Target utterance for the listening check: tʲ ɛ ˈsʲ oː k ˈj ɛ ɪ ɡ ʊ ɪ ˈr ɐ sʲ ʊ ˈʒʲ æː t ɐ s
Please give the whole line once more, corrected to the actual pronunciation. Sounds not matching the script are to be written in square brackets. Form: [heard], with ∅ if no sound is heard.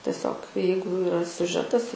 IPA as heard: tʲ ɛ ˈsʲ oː k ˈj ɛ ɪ ɡ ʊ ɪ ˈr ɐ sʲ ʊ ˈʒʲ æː t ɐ s